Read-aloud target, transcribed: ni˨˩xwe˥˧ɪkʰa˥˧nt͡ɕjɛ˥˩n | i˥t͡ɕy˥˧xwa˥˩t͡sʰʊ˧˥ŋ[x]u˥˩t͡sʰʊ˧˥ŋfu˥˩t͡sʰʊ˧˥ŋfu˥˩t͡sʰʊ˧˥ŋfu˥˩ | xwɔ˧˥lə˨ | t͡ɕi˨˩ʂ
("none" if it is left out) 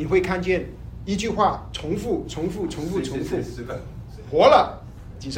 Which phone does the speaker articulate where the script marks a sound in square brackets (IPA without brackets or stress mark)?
f